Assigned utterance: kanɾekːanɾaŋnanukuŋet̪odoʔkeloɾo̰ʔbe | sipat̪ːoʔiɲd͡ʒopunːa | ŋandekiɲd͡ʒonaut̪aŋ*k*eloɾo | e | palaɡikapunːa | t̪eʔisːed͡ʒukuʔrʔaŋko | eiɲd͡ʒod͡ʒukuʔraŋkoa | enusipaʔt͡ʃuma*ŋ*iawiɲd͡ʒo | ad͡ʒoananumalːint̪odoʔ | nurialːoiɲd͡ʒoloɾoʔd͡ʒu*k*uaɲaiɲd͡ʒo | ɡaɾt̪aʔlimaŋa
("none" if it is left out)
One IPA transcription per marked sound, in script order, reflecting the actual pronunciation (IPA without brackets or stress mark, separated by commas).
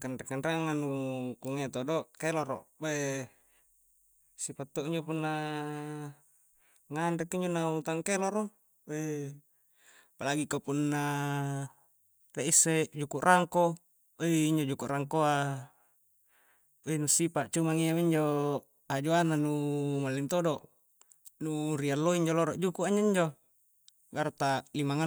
k, ŋ, k